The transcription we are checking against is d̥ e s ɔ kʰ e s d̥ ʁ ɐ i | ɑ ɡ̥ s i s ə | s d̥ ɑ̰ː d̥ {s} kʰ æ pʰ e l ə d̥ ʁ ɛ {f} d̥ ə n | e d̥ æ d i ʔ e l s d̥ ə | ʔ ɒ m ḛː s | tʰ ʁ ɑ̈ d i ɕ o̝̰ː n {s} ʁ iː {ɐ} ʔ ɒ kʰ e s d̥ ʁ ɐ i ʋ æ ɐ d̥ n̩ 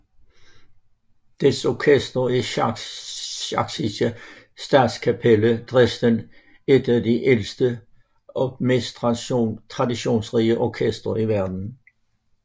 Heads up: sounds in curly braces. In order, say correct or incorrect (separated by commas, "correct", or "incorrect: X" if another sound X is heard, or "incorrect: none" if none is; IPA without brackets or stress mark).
correct, incorrect: s, correct, incorrect: ə